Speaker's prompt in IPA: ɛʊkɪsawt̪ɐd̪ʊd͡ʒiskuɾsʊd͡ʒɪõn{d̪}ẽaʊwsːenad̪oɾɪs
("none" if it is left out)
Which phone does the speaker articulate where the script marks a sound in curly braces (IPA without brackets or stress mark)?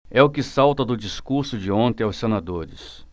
t̪